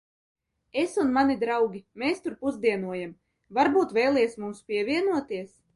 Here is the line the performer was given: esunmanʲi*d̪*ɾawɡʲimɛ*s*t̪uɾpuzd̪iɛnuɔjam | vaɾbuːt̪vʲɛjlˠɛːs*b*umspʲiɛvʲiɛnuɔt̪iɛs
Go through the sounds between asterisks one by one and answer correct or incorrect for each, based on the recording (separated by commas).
correct, correct, incorrect